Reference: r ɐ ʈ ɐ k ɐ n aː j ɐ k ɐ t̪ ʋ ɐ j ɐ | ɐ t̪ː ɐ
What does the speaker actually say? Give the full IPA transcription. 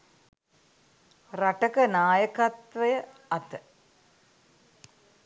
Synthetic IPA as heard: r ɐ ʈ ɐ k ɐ n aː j ɐ k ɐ t̪ ʋ ɐ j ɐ | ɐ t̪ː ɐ

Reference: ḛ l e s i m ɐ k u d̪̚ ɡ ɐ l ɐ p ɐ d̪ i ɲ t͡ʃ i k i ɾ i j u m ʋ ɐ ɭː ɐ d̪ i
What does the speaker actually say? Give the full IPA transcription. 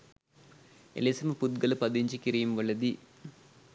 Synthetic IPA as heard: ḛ l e s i m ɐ p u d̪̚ ɡ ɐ l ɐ p ɐ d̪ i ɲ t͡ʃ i k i ɾ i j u m ʋ ɐ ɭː ɐ d̪ i

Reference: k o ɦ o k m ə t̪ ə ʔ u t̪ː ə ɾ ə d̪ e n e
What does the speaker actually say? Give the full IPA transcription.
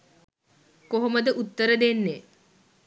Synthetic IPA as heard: k o ɦ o m ə d̪ ə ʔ u t̪ː ə ɾ ə d̪ e nː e

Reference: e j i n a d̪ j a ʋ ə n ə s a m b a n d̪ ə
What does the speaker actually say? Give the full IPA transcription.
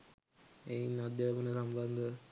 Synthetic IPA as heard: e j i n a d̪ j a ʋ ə n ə s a m b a n d̪ ə

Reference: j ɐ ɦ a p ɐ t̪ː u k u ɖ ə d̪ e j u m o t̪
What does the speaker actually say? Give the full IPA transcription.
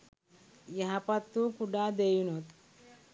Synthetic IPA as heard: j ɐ ɦ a p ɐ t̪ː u k u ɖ a d̪ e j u n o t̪

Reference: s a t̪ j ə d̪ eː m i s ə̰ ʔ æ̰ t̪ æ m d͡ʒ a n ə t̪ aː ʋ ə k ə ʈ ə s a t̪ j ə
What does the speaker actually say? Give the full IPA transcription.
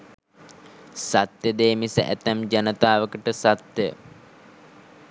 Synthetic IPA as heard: s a t̪ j ə d̪ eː m i s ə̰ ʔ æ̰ t̪ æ m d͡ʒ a n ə t̪ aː ʋ ə k ə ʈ ə s a t̪ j ə

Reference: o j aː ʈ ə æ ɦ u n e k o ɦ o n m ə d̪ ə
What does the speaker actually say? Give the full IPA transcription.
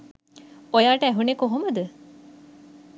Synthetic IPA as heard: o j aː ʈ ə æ ɦ u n e k o ɦ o m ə d̪ ə

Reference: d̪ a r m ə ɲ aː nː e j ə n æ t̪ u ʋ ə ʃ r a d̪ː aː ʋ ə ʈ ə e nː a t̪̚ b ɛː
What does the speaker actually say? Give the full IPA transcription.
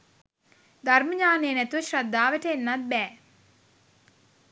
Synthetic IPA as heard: d̪ a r m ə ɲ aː n e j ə n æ t̪ u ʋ ə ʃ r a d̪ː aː ʋ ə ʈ ə e nː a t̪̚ b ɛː

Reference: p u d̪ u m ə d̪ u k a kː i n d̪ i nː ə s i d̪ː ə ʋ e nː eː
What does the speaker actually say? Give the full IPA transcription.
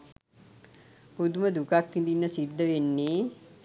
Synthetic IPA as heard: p u d̪ u m ə d̪ u k a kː i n d̪ i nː ə s i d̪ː ə ʋ e nː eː

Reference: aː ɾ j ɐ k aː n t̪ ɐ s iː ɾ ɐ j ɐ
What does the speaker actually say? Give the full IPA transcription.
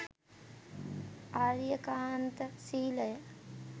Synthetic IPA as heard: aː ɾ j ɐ k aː n t̪ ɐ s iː l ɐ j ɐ

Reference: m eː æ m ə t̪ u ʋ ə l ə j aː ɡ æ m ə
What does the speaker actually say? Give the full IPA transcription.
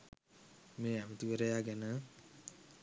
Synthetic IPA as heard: m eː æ m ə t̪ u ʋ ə ɾ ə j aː ɡ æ n ə

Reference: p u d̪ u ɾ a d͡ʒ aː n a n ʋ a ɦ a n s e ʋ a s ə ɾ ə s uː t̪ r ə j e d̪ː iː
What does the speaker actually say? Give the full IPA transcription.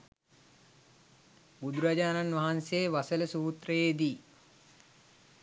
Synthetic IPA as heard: b u d̪ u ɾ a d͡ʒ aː n a n ʋ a ɦ a n s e ʋ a s ə l ə s uː t̪ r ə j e d̪ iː

